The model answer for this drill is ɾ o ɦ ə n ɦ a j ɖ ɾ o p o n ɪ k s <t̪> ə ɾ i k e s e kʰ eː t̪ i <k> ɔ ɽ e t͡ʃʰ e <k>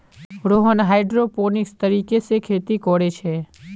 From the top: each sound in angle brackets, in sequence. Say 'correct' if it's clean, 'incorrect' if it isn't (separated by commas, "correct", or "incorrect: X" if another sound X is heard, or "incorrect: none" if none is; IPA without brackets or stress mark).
correct, correct, incorrect: none